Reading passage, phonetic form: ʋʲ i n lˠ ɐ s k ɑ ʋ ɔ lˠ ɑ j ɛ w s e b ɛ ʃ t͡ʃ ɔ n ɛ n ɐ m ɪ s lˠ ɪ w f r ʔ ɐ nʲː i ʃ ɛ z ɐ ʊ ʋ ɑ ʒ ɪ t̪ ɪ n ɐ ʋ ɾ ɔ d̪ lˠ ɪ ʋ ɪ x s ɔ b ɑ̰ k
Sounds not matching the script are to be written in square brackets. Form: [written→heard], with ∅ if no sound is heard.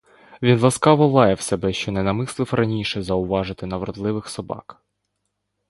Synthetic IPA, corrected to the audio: ʋʲ i n lˠ ɐ s k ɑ ʋ ɔ lˠ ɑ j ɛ w s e b ɛ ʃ t͡ʃ ɔ n ɛ n ɐ m ɪ s lˠ ɪ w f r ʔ ɐ [nʲː→nʲ] i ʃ ɛ z ɐ ʊ ʋ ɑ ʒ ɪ t̪ ɪ n ɐ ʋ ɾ ɔ d̪ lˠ ɪ ʋ ɪ x s ɔ b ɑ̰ k